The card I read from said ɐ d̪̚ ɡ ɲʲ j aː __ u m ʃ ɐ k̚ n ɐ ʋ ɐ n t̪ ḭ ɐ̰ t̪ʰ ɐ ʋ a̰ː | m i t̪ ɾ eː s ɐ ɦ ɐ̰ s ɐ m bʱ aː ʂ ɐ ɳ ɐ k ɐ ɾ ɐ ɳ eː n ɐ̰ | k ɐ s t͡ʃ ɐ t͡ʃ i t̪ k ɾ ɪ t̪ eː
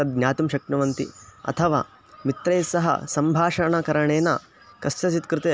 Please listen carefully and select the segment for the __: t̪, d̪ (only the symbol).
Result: t̪